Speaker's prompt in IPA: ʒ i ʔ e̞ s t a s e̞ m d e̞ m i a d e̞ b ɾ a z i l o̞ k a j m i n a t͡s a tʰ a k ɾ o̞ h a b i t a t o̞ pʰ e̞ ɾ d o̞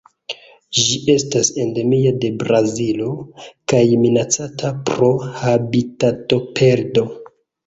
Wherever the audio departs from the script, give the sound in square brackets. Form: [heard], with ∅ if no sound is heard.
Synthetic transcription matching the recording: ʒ i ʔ e̞ s t a s e̞ [n] d e̞ m i a d e̞ b ɾ a z i l o̞ k a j m i n a t͡s a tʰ a [p] ɾ o̞ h a b i t a t o̞ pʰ e̞ ɾ d o̞